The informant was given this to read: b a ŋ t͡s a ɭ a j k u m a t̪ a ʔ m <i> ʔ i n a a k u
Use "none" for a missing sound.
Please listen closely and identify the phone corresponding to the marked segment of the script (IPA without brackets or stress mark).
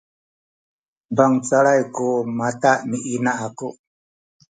i